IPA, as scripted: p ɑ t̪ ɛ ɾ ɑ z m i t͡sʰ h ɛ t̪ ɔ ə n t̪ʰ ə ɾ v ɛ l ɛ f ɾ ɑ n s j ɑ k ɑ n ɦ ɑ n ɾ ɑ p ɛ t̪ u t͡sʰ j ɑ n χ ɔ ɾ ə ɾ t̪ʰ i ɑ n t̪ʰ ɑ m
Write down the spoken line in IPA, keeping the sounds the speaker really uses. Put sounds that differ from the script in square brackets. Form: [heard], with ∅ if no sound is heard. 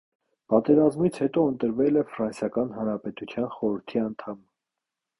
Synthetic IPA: p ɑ t̪ ɛ ɾ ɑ z m i t͡sʰ h ɛ t̪ ɔ ə n [t̪] ə ɾ v ɛ l ɛ f ɾ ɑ n s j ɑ k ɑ n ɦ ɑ n ɾ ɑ p ɛ t̪ u t͡sʰ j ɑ n χ ɔ ɾ ə ɾ t̪ʰ i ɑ n t̪ʰ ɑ m

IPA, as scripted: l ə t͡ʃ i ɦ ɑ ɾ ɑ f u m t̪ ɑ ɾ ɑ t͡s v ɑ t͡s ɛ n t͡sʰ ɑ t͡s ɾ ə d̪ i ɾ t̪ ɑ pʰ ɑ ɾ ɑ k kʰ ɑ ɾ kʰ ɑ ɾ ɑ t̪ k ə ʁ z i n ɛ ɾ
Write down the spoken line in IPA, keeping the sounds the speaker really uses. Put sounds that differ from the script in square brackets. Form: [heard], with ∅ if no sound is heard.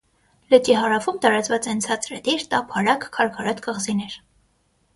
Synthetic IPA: l ə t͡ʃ i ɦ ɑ ɾ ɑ f u m t̪ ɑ ɾ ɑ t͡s v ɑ t͡s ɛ n t͡sʰ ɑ t͡s ɾ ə d̪ i ɾ t̪ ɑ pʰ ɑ ɾ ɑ k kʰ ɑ ɾ kʰ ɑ ɾ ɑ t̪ k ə ʁ z i n ɛ ɾ

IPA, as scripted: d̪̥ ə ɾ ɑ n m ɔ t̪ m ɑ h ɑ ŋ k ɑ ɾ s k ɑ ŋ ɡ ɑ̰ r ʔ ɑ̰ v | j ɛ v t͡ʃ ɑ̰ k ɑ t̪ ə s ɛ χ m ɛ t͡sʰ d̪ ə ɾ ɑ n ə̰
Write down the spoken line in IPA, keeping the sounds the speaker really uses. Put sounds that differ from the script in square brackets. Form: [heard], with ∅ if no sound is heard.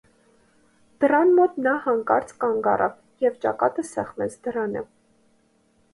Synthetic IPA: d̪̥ ə ɾ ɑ n m ɔ t̪ [n] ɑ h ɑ ŋ k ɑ ɾ [t͡s] k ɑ ŋ ɡ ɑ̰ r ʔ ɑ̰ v | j ɛ v t͡ʃ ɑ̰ k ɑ t̪ ə s ɛ χ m ɛ t͡sʰ d̪ ə ɾ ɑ n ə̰

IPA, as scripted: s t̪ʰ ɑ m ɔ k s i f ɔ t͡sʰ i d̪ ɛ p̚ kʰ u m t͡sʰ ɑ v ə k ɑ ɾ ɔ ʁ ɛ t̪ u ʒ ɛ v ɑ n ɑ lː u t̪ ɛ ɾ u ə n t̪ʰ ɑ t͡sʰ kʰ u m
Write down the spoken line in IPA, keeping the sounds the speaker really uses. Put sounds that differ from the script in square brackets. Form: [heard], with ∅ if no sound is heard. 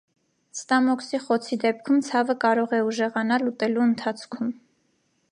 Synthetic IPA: s [t̪] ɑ m ɔ k s i [χ] ɔ t͡sʰ i d̪ ɛ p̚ kʰ u m t͡sʰ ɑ v ə k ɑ ɾ ɔ ʁ ɛ [∅] u ʒ ɛ [ʁ] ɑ n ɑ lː u t̪ ɛ [l] u ə n t̪ʰ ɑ t͡sʰ kʰ u m

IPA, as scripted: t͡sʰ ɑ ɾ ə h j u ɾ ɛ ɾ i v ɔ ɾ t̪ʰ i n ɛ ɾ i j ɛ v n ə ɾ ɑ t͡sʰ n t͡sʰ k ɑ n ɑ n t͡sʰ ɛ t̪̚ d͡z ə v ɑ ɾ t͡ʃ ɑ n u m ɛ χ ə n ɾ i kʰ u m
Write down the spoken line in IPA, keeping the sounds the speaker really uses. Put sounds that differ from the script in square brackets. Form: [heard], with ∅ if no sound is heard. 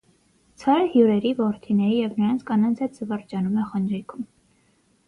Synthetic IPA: t͡sʰ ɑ ɾ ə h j u ɾ ɛ ɾ i v ɔ ɾ t̪ʰ i n ɛ ɾ i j ɛ v n ə ɾ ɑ [∅] n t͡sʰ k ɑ n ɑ n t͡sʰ ɛ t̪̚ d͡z ə v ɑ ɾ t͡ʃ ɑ n u m ɛ χ ə n ɾ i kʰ u m

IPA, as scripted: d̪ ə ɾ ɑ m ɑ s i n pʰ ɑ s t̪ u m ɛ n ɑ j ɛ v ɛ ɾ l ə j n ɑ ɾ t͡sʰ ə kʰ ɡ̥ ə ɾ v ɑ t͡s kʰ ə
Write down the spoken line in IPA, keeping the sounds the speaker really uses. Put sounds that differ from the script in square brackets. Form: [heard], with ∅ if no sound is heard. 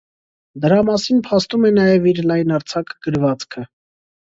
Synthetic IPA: d̪ ə ɾ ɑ m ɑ s i n pʰ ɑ s t̪ u m ɛ n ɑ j ɛ v [i] ɾ l [ɑ] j n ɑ ɾ t͡sʰ [ɑ] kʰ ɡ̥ ə ɾ v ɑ t͡s kʰ ə

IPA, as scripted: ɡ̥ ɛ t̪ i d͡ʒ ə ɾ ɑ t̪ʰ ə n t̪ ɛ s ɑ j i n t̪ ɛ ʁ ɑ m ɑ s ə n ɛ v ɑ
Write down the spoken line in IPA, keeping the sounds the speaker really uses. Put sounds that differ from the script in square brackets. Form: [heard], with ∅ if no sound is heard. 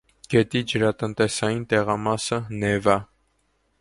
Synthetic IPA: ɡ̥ ɛ t̪ i d͡ʒ ə ɾ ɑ [t̪] ə n t̪ ɛ s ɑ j i n t̪ ɛ ʁ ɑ m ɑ s ə n ɛ v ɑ

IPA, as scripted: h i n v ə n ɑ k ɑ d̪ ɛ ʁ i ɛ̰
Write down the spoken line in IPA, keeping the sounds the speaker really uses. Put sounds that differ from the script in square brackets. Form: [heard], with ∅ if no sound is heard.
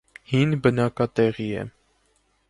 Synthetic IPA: h i n [b] ə n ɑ k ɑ [t̪] ɛ ʁ i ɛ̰

